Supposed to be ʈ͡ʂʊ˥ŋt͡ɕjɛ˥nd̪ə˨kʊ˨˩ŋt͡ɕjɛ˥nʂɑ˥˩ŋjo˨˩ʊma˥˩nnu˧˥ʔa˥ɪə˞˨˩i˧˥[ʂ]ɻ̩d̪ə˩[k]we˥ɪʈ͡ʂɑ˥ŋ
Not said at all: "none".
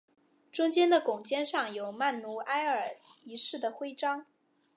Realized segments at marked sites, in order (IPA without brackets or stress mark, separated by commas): ʂ, x